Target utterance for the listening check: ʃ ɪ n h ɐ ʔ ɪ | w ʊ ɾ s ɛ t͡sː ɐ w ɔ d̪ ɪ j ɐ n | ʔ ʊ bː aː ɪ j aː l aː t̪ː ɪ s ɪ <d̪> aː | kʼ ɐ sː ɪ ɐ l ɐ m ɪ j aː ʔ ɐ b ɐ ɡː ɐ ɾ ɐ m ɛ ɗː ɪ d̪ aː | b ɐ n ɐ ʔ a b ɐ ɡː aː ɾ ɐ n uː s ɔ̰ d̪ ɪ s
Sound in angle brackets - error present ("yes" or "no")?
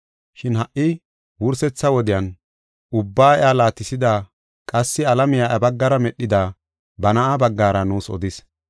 no